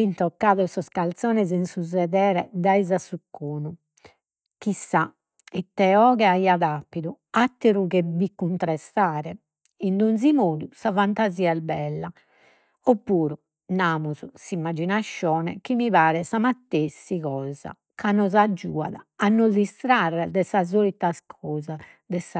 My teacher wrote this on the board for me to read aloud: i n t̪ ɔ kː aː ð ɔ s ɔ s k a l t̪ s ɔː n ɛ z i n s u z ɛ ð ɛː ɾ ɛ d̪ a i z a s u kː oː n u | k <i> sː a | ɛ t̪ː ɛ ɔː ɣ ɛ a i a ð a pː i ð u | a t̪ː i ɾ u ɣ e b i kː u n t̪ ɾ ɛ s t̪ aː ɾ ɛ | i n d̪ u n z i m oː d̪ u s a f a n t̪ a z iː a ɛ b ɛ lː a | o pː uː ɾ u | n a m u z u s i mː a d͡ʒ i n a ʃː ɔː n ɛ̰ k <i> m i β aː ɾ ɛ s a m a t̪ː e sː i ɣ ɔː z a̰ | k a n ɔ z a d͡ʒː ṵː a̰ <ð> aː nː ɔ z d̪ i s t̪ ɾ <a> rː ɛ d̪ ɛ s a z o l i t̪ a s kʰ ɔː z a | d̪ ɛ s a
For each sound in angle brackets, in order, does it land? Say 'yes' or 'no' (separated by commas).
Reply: yes, yes, yes, yes